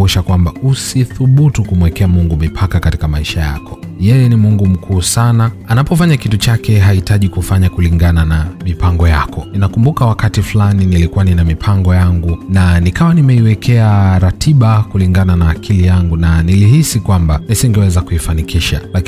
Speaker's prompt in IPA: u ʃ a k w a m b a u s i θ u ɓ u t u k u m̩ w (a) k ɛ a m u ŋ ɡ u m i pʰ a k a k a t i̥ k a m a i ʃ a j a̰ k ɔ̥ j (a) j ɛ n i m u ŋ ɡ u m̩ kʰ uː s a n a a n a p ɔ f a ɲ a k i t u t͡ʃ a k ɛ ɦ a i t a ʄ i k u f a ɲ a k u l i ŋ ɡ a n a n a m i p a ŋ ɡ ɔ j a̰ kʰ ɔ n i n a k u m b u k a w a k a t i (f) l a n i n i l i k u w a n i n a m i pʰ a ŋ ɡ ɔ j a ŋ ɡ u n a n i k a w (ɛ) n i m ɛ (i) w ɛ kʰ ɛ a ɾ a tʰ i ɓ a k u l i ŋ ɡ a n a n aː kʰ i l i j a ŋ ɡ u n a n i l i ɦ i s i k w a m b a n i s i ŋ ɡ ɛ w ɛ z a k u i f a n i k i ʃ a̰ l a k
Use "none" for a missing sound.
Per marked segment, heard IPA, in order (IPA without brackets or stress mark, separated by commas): ɛ, ɛ, f, a, i